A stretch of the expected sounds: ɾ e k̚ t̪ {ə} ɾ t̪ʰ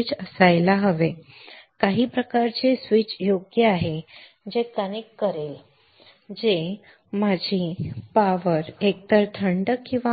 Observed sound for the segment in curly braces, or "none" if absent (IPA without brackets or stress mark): ə